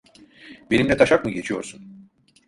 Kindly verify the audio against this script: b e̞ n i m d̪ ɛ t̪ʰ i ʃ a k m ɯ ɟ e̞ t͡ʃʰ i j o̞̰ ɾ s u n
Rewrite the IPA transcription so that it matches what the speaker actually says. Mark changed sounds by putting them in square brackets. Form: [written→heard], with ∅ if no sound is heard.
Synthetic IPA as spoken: b e̞ n i m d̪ ɛ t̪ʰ [i→a] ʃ a k m ɯ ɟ e̞ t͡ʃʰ i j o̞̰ ɾ s u n